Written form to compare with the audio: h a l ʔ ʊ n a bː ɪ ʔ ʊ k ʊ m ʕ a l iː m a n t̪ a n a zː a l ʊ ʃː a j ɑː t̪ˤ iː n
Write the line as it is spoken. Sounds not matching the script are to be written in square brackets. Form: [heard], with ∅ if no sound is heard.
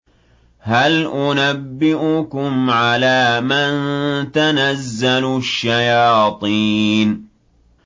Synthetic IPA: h a l ʔ ʊ n a bː ɪ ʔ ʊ k ʊ m ʕ a l [aː] m a n t̪ a n a zː a l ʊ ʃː a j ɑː t̪ˤ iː n